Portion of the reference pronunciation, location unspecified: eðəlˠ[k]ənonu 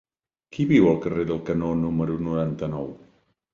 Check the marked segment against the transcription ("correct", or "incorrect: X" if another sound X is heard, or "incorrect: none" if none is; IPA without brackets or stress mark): correct